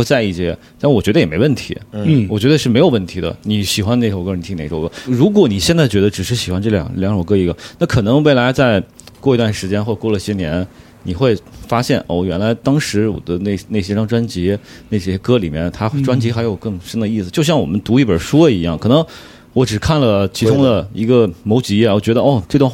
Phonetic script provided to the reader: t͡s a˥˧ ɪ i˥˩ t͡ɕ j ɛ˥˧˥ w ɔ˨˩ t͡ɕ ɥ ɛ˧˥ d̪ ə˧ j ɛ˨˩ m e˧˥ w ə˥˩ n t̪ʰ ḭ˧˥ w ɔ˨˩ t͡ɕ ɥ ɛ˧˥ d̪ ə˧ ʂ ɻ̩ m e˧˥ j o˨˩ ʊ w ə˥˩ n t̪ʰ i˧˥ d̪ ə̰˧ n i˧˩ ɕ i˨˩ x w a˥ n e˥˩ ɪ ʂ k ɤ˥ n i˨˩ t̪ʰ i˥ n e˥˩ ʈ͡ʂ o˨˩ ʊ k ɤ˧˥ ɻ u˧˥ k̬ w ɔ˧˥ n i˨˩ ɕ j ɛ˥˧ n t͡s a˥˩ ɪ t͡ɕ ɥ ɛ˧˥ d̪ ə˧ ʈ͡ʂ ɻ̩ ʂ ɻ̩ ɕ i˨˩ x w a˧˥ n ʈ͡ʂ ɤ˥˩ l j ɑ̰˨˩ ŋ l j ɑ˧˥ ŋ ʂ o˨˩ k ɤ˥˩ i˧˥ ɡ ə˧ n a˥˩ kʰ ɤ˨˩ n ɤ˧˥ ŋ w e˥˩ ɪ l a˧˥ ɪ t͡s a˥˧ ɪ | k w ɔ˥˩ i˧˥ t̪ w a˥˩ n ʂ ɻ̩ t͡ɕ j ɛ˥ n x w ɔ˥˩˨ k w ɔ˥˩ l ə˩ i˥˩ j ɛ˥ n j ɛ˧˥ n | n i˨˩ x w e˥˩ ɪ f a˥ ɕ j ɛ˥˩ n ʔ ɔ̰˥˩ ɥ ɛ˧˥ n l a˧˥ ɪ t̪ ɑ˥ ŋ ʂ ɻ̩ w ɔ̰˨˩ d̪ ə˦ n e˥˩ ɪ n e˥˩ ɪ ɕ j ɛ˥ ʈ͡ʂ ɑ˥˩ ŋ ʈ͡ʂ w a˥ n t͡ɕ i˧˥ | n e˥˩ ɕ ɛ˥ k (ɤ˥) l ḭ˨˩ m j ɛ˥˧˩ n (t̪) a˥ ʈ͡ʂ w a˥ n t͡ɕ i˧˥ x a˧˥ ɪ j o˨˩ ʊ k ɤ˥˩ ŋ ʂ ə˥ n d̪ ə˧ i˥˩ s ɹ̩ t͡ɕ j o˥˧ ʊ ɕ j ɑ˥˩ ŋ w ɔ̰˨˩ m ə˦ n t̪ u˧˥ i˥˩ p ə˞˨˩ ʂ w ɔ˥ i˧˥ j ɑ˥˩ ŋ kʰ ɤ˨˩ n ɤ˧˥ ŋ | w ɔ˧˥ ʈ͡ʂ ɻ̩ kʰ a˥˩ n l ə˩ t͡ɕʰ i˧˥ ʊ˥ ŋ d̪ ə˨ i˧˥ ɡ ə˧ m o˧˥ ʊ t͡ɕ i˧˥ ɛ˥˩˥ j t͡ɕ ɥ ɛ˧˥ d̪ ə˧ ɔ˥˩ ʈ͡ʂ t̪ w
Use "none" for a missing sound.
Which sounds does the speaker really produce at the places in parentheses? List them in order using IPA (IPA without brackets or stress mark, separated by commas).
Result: ɤ˥, t̪ʰ